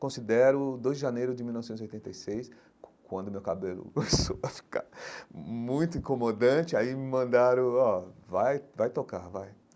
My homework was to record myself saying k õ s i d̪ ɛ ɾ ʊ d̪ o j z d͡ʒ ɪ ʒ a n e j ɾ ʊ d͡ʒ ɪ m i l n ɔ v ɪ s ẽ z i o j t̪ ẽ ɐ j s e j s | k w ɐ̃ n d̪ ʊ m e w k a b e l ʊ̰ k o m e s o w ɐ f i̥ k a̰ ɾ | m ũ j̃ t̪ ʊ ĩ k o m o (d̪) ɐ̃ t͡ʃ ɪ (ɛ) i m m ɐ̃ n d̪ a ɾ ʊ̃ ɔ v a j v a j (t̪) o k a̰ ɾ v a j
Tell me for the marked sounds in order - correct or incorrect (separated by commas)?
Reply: correct, incorrect, correct